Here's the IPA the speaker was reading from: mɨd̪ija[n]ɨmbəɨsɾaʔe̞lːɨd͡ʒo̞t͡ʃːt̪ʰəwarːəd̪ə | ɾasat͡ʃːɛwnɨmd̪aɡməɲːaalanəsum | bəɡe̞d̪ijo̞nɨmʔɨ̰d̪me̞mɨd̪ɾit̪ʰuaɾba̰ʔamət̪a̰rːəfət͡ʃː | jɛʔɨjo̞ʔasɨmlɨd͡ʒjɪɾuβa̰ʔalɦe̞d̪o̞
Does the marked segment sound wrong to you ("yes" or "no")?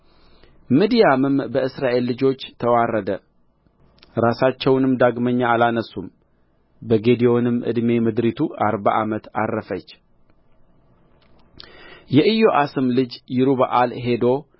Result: yes